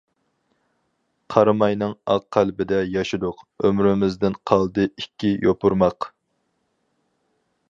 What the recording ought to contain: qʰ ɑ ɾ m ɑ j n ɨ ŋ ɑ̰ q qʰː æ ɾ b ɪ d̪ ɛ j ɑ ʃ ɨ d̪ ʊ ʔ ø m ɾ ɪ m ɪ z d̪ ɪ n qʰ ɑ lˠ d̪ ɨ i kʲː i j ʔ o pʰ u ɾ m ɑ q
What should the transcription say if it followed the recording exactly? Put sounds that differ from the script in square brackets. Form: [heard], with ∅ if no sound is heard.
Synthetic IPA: qʰ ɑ ɾ m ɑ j n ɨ ŋ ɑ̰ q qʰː æ [l] b ɪ d̪ ɛ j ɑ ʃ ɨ d̪ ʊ [q] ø m ɾ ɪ m ɪ z d̪ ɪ n qʰ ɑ lˠ d̪ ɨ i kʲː i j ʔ o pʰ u ɾ m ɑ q